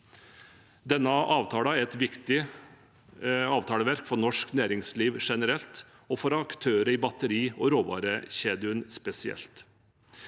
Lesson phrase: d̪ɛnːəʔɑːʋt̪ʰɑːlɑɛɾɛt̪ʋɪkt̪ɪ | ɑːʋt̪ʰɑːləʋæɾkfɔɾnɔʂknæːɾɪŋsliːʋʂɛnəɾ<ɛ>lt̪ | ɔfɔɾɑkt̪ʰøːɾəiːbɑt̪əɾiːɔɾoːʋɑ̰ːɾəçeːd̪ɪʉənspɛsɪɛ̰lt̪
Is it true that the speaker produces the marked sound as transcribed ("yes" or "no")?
yes